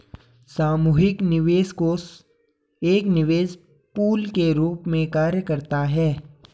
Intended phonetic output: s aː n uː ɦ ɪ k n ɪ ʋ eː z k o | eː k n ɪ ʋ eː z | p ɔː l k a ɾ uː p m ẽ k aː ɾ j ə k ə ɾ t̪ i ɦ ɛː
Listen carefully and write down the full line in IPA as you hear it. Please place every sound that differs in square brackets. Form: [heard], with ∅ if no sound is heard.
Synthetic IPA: s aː [m] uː ɦ ɪ k n ɪ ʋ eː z k o | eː k n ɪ ʋ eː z | p [uː] l k [e] ɾ uː p m ẽ k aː ɾ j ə k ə ɾ t̪ [a] ɦ ɛː